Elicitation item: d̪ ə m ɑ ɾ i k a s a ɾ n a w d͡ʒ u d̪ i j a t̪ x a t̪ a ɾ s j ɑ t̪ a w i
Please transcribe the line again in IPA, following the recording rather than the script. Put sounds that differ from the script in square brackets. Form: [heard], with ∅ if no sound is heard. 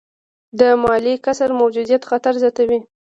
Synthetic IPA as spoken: d̪ ə m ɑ [l] i k a s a ɾ [m] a w d͡ʒ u d̪ i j a t̪ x a t̪ a ɾ [z] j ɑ t̪ a w i